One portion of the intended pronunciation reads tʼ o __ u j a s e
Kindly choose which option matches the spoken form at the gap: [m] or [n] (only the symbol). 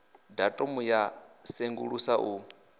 m